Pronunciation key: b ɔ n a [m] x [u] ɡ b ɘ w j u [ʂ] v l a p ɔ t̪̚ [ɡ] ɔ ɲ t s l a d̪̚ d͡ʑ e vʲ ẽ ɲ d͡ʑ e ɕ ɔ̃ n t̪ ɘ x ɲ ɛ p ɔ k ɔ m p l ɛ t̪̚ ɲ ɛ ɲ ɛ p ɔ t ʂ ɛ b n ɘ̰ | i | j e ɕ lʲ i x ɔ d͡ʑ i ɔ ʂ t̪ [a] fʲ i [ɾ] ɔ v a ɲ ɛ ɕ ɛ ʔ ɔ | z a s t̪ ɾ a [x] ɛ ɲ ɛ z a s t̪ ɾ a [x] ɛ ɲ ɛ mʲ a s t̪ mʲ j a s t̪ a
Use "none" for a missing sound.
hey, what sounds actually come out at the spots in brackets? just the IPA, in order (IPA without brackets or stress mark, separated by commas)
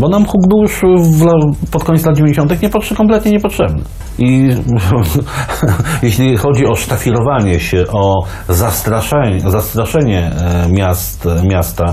m, u, ʂ, k, a, ɾ, ʂ, ʂ